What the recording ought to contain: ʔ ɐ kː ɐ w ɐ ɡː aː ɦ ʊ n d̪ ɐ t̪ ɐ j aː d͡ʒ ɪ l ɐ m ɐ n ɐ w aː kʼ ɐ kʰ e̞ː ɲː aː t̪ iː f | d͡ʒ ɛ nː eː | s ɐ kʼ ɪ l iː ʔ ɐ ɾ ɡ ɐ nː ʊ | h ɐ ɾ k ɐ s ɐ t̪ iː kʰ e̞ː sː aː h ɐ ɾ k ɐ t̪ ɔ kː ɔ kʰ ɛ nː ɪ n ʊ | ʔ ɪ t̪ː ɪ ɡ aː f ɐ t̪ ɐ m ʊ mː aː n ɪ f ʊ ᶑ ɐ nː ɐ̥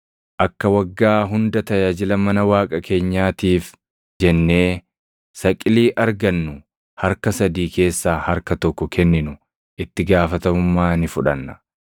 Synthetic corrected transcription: ʔ ɐ kː ɐ w ɐ ɡː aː ɦ ʊ n d̪ ɐ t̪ ɐ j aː d͡ʒ ɪ l ɐ m ɐ n ɐ w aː kʼ ɐ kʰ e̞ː ɲː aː t̪ iː f | d͡ʒ ɛ nː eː | s ɐ kʼ ɪ l iː ʔ ɐ ɾ ɡ ɐ nː ʊ | h ɐ ɾ k ɐ s ɐ d̪ iː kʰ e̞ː sː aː h ɐ ɾ k ɐ t̪ ɔ kː ɔ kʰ ɛ nː ɪ n ʊ | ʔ ɪ t̪ː ɪ ɡ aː f ɐ t̪ ɐ m ʊ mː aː n ɪ f ʊ ᶑ ɐ nː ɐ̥